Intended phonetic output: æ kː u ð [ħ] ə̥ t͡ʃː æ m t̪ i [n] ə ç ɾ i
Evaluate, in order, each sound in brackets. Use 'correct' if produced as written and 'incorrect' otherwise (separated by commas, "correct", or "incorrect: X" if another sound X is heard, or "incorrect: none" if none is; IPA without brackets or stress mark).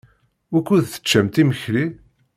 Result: incorrect: θ, incorrect: m